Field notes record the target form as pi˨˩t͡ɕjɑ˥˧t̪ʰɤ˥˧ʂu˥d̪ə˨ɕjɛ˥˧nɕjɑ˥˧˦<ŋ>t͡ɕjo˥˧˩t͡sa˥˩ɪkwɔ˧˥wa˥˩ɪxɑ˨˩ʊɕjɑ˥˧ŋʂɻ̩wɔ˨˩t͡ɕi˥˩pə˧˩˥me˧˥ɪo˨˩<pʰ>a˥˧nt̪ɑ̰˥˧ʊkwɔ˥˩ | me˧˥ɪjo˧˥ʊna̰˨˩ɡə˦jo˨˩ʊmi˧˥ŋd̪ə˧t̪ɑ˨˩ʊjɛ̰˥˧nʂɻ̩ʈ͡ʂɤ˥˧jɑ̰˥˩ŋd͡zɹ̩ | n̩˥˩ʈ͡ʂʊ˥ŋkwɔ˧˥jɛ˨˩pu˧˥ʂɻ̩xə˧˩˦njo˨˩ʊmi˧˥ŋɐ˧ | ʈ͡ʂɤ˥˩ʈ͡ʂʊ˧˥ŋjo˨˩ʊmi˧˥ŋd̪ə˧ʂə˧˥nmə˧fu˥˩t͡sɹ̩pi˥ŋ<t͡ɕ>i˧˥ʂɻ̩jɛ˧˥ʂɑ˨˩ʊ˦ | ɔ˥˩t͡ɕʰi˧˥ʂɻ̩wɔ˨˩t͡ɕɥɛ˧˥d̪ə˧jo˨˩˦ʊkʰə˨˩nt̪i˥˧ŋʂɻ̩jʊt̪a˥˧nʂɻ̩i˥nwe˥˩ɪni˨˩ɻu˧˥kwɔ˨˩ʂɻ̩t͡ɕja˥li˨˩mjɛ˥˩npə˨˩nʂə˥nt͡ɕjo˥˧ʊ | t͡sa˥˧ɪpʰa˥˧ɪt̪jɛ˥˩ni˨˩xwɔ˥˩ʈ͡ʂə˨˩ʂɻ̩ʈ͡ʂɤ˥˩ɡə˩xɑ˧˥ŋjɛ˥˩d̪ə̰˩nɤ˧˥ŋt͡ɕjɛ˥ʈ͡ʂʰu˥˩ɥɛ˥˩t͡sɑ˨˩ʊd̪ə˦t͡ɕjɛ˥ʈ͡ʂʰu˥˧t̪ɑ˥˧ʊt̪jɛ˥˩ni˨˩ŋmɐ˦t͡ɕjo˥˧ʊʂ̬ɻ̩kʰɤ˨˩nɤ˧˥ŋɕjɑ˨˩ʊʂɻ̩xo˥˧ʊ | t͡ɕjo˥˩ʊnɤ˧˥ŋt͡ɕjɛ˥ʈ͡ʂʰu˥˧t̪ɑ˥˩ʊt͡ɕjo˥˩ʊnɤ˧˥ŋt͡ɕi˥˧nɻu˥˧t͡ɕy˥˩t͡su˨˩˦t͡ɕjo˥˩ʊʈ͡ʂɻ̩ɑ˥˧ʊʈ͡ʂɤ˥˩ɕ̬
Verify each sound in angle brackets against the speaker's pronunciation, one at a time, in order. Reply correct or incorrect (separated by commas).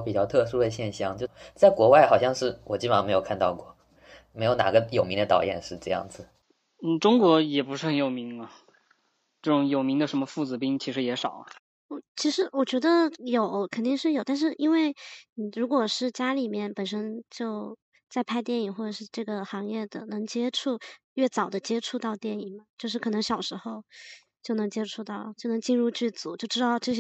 correct, incorrect, incorrect